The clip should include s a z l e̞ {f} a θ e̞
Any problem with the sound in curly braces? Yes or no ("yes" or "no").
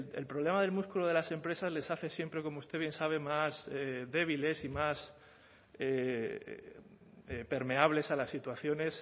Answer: yes